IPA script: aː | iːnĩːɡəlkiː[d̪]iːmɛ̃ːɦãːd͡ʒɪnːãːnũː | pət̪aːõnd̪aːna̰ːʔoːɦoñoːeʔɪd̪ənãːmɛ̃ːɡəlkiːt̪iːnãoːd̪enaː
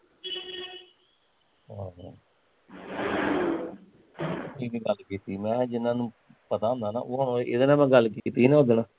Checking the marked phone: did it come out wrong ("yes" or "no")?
yes